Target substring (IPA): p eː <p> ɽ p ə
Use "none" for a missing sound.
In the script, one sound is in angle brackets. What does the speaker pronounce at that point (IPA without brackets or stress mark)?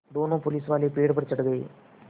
none